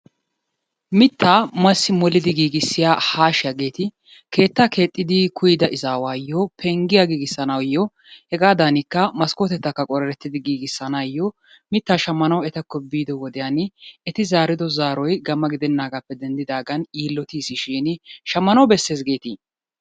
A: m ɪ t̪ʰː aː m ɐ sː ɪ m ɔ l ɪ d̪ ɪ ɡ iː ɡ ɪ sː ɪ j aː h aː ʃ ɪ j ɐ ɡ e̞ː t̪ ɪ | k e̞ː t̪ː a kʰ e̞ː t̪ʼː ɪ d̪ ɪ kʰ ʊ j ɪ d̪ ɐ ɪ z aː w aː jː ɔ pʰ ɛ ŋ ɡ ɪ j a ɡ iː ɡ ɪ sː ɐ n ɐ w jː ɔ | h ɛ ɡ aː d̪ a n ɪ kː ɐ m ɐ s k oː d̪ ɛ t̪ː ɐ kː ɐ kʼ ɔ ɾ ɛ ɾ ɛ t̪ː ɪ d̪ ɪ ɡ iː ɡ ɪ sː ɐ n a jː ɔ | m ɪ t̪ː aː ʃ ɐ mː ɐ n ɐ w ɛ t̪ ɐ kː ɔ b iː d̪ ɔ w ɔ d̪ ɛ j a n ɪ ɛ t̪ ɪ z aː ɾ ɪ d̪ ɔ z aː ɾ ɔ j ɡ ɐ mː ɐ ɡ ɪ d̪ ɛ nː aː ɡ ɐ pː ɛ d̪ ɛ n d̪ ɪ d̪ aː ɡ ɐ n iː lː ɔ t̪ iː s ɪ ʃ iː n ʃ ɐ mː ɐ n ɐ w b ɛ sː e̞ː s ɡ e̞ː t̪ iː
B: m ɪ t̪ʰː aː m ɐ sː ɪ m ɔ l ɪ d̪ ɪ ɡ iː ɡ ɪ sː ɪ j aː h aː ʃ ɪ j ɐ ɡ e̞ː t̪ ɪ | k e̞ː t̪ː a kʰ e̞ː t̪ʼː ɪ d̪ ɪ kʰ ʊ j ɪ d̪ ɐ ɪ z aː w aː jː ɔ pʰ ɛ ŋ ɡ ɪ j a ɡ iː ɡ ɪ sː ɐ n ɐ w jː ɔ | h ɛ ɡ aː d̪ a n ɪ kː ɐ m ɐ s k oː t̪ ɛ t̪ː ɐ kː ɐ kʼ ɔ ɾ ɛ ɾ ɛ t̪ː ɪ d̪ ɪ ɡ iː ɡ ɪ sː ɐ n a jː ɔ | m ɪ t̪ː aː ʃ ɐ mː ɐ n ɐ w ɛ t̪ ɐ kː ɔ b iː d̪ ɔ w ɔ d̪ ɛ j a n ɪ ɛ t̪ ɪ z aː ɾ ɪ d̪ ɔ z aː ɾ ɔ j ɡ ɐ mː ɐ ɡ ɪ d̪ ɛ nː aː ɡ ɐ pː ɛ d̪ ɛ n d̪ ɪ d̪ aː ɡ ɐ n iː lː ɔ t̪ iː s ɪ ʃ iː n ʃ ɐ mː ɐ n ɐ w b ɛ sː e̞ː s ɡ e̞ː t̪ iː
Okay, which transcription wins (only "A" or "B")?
B